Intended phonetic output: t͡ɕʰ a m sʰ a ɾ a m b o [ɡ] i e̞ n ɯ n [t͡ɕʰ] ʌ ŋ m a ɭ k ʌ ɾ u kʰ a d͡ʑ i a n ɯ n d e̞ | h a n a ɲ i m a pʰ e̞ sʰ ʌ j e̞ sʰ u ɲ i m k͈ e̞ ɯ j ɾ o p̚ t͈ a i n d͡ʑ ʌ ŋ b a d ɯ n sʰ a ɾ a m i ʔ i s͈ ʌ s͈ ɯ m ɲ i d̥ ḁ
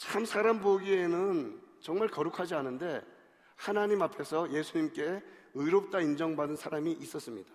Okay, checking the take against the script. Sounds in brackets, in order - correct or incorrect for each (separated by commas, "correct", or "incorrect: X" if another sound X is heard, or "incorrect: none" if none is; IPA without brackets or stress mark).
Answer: correct, incorrect: t͡ɕ